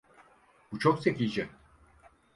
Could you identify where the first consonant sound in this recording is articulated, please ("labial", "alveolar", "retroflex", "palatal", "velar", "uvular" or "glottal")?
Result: labial